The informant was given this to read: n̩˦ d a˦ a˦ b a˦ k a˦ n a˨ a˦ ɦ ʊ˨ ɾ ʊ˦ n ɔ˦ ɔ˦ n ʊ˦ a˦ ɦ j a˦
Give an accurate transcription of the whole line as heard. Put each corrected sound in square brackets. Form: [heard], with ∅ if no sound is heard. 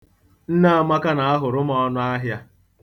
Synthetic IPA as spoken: n̩˦ [n] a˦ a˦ [m] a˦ k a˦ n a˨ a˦ ɦ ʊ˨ ɾ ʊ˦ [m] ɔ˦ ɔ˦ n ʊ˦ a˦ ɦ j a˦